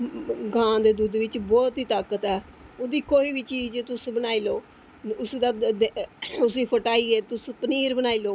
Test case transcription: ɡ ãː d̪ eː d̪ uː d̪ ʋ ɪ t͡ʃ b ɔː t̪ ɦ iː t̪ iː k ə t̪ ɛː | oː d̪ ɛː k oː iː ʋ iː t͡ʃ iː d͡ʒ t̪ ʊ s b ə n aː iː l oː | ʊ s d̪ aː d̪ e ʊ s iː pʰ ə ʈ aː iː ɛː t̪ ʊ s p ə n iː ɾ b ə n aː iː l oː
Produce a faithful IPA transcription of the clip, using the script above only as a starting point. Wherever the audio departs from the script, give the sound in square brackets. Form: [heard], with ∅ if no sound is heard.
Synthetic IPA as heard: ɡ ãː d̪ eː d̪ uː d̪ ʋ ɪ t͡ʃ b ɔː t̪ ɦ iː t̪ [aː] k ə t̪ ɛː | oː d̪ [iː] k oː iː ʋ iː t͡ʃ iː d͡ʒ t̪ ʊ s b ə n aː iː l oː | ʊ s d̪ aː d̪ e ʊ s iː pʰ ə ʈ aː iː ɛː t̪ ʊ s p ə n iː ɾ b ə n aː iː l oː

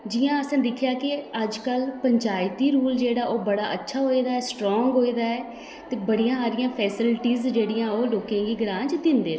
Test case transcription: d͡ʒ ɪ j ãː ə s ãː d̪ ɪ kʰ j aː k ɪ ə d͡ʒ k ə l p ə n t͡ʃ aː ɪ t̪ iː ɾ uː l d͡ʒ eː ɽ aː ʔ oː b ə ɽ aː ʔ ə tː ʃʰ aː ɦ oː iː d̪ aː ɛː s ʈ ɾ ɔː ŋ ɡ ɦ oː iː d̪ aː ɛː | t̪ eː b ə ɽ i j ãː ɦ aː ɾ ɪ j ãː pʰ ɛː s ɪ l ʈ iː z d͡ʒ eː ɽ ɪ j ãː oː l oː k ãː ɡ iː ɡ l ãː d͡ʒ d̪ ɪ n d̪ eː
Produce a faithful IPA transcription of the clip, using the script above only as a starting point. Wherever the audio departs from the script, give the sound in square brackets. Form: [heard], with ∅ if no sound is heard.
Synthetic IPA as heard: d͡ʒ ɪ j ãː ə s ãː d̪ ɪ kʰ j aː k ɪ ə d͡ʒ k ə l p ə [ɲ] t͡ʃ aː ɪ t̪ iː ɾ uː l d͡ʒ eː ɽ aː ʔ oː b ə ɽ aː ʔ ə tː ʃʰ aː ɦ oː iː d̪ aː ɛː s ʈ ɾ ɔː ŋ ɡ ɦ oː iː d̪ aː ɛː | t̪ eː b ə ɽ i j ãː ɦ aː ɾ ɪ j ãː pʰ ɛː s ɪ l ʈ iː z d͡ʒ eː ɽ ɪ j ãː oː l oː k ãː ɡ iː ɡ [ɾ] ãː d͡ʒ d̪ ɪ n d̪ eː

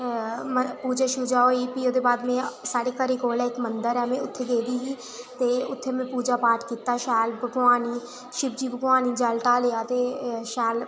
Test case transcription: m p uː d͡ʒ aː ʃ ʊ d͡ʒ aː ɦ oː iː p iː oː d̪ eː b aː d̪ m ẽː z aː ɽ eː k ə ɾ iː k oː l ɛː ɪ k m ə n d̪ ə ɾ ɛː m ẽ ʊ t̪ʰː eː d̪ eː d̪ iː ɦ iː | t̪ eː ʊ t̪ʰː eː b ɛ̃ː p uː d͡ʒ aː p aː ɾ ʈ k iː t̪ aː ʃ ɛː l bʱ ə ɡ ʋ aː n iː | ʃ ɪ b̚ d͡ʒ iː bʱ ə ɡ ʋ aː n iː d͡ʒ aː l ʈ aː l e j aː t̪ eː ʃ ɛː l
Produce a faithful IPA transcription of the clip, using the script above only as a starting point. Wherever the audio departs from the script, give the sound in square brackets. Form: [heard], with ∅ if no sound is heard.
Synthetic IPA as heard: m p uː d͡ʒ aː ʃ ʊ d͡ʒ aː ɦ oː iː p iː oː d̪ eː b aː d̪ m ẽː [s] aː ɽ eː k ə ɾ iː k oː l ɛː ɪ k m ə n d̪ ə ɾ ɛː m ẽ ʊ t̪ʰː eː d̪ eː d̪ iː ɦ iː | t̪ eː ʊ t̪ʰː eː [m] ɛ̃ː p uː d͡ʒ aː p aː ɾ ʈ k iː t̪ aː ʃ ɛː l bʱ ə ɡ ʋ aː n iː | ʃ ɪ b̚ d͡ʒ iː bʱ ə ɡ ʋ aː n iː d͡ʒ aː l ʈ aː l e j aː t̪ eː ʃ ɛː l

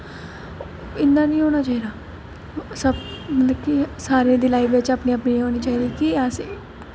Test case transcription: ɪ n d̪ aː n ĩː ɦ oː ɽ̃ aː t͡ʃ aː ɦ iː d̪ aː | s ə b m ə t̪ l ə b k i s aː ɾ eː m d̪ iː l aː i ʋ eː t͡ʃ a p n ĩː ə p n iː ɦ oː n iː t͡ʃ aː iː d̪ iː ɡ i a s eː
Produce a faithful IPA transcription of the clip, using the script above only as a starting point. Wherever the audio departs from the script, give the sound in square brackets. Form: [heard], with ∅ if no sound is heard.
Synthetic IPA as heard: ɪ n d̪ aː n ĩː ɦ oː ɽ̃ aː t͡ʃ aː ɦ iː d̪ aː | s ə b m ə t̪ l ə b k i s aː ɾ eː [∅] d̪ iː l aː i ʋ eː t͡ʃ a p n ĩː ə p n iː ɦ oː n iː t͡ʃ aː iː d̪ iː [k] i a s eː

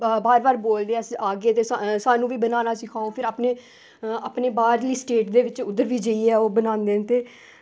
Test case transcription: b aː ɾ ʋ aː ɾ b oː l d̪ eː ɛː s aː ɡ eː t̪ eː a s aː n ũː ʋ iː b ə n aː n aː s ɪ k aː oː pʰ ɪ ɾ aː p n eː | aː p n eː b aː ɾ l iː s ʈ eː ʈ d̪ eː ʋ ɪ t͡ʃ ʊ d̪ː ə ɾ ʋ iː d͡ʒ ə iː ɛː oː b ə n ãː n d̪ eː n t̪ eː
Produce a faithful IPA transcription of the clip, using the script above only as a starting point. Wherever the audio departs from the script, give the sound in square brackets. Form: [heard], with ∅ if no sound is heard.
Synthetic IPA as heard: b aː ɾ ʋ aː ɾ b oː l d̪ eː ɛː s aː ɡ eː t̪ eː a s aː n ũː ʋ iː b ə n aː n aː s ɪ [kʰ] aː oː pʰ ɪ ɾ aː p n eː | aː p n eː b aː ɾ l iː s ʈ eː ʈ d̪ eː ʋ ɪ t͡ʃ ʊ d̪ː ə ɾ ʋ iː d͡ʒ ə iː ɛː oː b ə n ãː n d̪ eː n t̪ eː

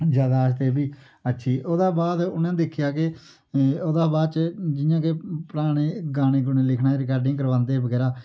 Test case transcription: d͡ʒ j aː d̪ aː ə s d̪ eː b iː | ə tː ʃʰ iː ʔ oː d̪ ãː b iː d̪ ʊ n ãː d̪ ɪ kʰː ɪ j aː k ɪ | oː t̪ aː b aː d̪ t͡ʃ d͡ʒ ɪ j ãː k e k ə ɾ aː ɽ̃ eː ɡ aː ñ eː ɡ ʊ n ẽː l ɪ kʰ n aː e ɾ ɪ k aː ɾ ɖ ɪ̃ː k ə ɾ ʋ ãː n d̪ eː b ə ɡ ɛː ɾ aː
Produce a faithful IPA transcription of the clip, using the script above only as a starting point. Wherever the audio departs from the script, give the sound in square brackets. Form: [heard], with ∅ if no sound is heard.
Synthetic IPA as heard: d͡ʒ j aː d̪ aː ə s [t̪] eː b iː | ə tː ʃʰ iː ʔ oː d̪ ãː b [aː] d̪ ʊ n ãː d̪ ɪ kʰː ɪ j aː k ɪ | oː [d̪] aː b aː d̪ t͡ʃ d͡ʒ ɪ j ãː k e [p] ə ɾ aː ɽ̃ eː ɡ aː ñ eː ɡ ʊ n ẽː l ɪ kʰ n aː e ɾ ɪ k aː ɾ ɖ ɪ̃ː k ə ɾ ʋ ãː n d̪ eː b ə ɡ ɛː ɾ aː

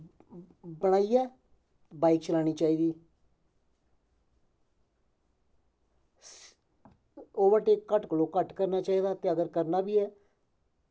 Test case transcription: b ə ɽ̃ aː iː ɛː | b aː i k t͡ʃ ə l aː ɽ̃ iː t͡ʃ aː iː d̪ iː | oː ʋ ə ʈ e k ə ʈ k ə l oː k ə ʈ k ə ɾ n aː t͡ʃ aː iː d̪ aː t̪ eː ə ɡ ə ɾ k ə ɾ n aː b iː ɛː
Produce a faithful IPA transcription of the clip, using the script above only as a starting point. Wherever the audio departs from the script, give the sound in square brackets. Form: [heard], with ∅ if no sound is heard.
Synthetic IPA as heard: b ə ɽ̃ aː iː ɛː | b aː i k t͡ʃ ə l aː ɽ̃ iː t͡ʃ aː iː d̪ iː | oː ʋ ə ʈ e k ə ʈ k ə l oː k ə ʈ k ə ɾ n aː t͡ʃ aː iː d̪ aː t̪ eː ə ɡ ə ɾ k ə ɾ n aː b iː ɛː

